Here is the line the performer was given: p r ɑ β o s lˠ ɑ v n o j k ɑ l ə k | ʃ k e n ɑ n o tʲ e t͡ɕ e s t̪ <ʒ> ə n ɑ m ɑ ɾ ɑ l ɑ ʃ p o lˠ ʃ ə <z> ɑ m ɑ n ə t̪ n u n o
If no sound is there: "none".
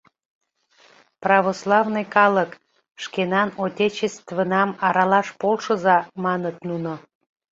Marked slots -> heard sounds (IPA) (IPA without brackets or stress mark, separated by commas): v, z